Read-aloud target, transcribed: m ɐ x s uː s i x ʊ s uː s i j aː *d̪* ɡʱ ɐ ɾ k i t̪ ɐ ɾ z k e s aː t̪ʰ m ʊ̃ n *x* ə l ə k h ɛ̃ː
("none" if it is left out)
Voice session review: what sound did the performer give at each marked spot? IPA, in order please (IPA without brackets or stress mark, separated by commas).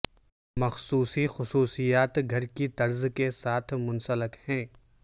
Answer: t̪, s